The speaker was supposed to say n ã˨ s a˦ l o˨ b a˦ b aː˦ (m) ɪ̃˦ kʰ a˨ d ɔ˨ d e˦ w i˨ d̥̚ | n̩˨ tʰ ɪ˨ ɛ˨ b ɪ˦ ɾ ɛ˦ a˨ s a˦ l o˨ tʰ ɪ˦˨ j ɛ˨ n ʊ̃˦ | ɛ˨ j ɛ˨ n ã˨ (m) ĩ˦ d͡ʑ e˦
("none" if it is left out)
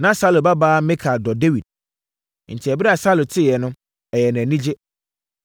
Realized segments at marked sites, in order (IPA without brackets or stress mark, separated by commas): m, n